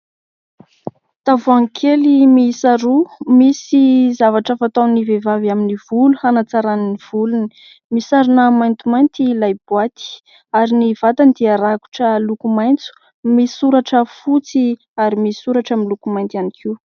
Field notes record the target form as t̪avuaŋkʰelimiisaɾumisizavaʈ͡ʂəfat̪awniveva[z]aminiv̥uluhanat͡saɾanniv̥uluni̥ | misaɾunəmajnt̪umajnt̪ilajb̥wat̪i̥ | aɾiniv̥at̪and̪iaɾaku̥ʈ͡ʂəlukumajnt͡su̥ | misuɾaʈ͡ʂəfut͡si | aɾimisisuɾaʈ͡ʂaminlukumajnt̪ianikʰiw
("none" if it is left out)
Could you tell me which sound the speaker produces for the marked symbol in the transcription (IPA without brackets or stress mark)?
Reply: v